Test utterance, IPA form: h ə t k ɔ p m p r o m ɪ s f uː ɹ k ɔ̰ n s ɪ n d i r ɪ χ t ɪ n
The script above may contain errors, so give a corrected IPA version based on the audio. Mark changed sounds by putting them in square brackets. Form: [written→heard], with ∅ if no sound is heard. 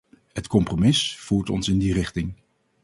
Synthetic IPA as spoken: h ə t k ɔ [p→∅] m p r o m ɪ s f uː ɹ [k→t] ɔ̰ n s ɪ n d i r ɪ χ t ɪ [n→ŋ]